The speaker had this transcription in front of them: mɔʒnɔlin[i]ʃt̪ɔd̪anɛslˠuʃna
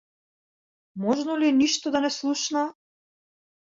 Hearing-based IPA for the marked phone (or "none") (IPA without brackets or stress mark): i